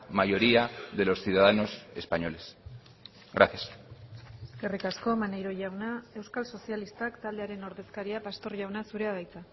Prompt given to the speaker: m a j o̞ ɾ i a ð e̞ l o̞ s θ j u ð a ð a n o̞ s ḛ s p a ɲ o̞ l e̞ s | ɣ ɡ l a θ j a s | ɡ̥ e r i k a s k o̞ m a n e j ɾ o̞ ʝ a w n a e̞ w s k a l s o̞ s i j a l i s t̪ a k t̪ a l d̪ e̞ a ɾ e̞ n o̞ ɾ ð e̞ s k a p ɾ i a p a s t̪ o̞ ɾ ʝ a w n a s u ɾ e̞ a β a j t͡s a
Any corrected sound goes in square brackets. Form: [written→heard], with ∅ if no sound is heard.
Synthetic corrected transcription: m a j o̞ ɾ i a ð e̞ l o̞ s θ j u ð a ð a n o̞ s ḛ s p a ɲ o̞ l e̞ s | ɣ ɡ [l→ɾ] a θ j a s | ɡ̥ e r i k a s k o̞ m a n e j ɾ o̞ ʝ a w n a e̞ w s k a l s o̞ s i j a l i s t̪ a k t̪ a l d̪ e̞ a ɾ e̞ n o̞ ɾ ð e̞ s k a [p→∅] ɾ i a p a s t̪ o̞ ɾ ʝ a w n a s u ɾ e̞ a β a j t͡s a